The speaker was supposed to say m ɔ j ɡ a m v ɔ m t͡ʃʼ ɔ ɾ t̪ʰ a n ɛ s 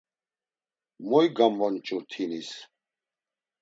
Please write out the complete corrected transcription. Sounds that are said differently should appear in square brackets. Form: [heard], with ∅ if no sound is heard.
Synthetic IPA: m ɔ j ɡ a m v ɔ [n] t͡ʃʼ [u] ɾ t̪ʰ [i] n [i] s